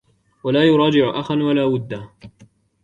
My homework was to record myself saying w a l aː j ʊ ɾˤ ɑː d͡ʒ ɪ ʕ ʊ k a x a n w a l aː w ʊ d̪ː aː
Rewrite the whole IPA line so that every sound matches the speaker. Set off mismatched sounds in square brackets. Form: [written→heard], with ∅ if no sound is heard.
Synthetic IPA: w a l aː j ʊ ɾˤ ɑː d͡ʒ ɪ ʕ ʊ [k→ʔ] a x a n w a l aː w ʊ d̪ː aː